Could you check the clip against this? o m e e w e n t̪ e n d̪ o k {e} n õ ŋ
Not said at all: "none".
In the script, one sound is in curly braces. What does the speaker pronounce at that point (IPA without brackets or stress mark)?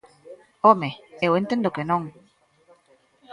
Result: e